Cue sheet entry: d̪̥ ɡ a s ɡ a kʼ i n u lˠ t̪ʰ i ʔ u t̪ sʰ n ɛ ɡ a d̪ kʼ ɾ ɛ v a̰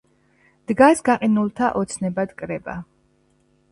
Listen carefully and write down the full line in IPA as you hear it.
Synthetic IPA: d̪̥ ɡ a s ɡ a qʼ i n u lˠ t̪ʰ a ʔ ɔ t̪ sʰ n ɛ b a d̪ kʼ ɾ ɛ b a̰